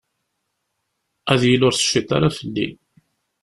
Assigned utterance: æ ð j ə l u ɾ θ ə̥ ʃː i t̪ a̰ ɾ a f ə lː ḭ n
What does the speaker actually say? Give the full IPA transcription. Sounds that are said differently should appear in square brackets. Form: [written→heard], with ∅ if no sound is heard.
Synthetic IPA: æ ð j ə l [u→ʊ] ɾ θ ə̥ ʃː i t̪ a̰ ɾ a f ə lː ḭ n

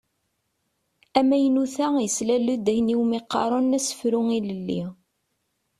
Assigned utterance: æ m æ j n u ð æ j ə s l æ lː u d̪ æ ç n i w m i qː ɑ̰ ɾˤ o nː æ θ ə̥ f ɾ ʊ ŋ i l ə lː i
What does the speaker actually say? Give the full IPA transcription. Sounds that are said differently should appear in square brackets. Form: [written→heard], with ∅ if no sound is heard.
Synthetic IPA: æ m æ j n u [ð→θ] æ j ə s l æ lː u d̪ æ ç n i w m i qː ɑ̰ ɾˤ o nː æ [θ→s] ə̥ f ɾ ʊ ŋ i l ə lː i

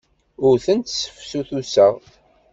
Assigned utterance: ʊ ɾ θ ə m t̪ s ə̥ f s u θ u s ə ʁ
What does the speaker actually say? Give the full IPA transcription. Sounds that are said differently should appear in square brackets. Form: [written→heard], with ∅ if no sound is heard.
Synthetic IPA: ʊ ɾ θ ə [m→n] t̪ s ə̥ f s u θ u s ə ʁ

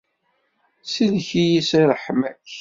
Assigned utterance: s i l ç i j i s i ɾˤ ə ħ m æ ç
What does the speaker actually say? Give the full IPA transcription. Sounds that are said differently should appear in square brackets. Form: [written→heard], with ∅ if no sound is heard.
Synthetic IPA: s i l ç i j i s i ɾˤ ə ħ m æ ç

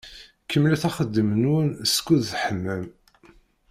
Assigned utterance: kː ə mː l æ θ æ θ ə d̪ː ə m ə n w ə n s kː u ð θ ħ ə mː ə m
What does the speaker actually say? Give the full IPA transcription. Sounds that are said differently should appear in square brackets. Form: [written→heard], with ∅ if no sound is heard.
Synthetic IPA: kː ə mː l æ θ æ [θ→χ] ə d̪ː ə m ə n w ə n s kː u ð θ ħ ə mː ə m

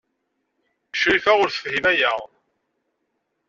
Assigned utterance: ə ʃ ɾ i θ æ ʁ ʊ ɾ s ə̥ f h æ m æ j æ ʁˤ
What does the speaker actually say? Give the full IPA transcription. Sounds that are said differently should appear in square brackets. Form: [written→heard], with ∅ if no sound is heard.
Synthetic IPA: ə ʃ ɾ i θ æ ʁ ʊ ɾ [s→θ] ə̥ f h [æ→i] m æ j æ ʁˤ

